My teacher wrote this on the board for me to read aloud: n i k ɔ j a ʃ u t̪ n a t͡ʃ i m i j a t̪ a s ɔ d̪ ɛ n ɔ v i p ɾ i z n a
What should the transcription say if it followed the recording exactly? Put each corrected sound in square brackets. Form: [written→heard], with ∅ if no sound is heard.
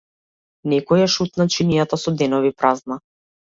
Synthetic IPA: n [i→ɛ] k ɔ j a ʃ u t̪ n a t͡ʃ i [m→n] i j a t̪ a s ɔ d̪ ɛ n ɔ v i p ɾ [i→a] z n a